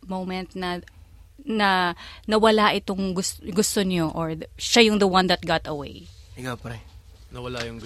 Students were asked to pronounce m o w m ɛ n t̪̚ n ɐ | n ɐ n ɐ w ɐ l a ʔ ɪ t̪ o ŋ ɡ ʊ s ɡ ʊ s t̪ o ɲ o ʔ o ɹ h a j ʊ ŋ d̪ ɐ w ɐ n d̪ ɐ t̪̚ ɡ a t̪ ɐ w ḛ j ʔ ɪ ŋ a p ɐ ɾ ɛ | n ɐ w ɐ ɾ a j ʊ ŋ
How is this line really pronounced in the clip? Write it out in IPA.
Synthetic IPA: m o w m ɛ n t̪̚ n ɐ | n ɐ n ɐ w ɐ l a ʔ ɪ t̪ o ŋ ɡ ʊ s ɡ ʊ s t̪ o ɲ o ʔ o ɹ ʃ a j ʊ ŋ d̪ ɐ w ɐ n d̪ ɐ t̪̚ ɡ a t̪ ɐ w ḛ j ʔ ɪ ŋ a p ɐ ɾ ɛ | n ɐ w ɐ l a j ʊ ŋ